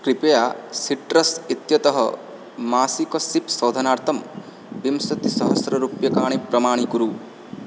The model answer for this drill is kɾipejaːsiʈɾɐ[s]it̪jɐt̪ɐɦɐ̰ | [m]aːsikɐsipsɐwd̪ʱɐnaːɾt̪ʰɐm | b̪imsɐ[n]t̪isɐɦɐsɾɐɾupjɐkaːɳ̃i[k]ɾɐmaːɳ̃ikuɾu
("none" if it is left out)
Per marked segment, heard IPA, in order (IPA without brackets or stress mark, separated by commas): s, m, none, p